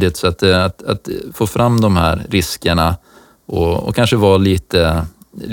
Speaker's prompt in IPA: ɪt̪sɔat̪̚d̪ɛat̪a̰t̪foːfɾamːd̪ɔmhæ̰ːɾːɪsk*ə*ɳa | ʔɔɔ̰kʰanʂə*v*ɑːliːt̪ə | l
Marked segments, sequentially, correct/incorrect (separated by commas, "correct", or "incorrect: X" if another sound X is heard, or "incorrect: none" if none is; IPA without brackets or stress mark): correct, correct